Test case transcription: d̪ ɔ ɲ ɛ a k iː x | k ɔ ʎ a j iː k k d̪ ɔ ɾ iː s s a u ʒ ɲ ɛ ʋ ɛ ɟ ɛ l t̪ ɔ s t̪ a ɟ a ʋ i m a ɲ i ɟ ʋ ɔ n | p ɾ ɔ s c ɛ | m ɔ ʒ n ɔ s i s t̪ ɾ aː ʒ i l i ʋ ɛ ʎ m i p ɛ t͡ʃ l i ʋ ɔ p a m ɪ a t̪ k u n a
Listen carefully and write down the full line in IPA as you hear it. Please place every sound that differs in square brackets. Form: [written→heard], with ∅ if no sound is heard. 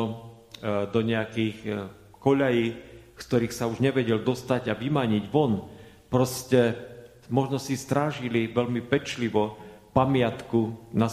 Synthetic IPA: d̪ ɔ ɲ ɛ a k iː x | k ɔ ʎ a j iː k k [d̪→t̪] ɔ ɾ iː [s→x] s a u ʒ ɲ ɛ ʋ ɛ ɟ ɛ l [t̪→d̪] ɔ s t̪ a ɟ a ʋ i m a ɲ i ɟ ʋ ɔ n | p ɾ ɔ s c ɛ | m ɔ ʒ n ɔ s i s t̪ ɾ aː ʒ i l i ʋ ɛ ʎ m i p ɛ t͡ʃ l i ʋ ɔ p a m ɪ a t̪ k u n a